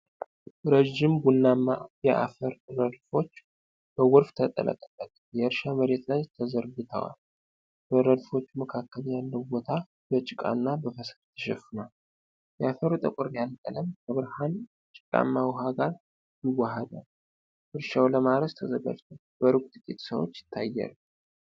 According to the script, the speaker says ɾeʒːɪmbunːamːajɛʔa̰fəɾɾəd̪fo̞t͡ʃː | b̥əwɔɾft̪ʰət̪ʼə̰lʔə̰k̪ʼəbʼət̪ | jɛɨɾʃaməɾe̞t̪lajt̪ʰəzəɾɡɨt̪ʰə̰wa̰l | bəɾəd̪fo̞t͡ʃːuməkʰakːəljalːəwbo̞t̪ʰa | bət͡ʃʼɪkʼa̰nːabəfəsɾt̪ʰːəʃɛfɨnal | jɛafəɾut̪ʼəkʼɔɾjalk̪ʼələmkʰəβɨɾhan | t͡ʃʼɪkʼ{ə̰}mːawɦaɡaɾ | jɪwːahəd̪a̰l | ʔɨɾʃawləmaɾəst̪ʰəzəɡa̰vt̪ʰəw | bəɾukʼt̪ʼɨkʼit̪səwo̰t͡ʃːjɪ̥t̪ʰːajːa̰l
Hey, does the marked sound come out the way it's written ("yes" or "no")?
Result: no